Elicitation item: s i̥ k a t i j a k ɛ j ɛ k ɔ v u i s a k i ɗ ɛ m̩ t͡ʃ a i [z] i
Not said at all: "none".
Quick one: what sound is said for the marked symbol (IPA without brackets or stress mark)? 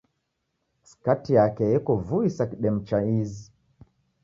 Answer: z